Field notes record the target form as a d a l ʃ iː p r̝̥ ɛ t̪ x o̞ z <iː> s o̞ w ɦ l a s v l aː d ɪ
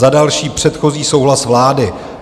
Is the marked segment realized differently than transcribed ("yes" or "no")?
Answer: no